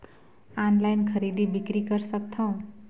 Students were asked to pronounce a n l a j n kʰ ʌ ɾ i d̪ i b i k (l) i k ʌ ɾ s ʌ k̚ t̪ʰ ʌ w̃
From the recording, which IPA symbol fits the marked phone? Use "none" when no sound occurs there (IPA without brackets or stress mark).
ɾ